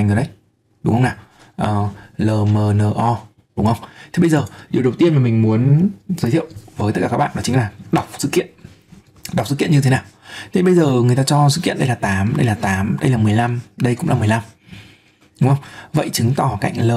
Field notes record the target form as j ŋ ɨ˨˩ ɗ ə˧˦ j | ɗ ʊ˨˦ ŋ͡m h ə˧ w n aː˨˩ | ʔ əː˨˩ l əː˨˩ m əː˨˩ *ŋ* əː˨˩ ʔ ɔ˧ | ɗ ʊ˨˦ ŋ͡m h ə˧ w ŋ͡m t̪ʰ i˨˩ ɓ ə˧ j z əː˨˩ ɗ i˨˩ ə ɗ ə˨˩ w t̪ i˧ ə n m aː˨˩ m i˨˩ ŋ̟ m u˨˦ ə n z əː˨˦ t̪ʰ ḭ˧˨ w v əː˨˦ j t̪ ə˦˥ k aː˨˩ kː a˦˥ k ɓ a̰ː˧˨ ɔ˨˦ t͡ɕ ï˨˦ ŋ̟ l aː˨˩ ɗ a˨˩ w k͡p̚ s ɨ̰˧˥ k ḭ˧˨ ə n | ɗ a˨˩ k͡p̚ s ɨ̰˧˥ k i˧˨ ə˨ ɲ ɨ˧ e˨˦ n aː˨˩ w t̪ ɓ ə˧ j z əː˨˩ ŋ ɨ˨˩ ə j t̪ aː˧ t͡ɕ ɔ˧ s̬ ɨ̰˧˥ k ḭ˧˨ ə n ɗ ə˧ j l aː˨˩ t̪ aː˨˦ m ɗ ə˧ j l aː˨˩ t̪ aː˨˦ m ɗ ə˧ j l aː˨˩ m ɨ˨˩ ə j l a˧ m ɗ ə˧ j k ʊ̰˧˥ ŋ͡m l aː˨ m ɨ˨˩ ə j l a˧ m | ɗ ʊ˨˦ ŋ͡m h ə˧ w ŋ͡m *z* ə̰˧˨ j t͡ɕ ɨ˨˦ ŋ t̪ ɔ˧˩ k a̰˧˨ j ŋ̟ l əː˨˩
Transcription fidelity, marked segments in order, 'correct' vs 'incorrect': incorrect: n, incorrect: v

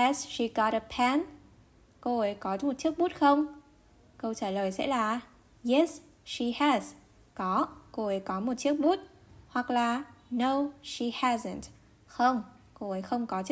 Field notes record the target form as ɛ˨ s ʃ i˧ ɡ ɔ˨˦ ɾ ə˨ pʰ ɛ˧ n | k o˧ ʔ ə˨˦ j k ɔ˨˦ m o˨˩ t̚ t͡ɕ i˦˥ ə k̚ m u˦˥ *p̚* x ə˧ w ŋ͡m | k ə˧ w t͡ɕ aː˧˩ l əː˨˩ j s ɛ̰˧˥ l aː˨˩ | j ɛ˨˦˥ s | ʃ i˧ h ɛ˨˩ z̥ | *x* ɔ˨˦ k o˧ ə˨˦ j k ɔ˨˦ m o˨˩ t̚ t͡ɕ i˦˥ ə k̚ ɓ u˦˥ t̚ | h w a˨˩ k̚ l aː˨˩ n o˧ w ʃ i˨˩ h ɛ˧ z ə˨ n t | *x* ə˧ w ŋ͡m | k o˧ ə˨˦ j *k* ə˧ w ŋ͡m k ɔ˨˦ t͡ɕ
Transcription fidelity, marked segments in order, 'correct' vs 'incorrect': incorrect: t̚, incorrect: k, correct, incorrect: x

